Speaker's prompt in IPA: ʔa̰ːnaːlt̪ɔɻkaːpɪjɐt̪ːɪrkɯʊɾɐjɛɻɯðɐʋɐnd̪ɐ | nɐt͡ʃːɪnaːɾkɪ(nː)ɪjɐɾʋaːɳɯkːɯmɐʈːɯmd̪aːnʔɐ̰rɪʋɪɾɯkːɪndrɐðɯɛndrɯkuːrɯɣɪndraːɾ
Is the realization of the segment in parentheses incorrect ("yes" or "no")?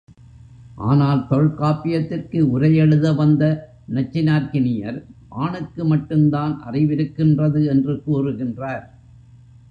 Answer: yes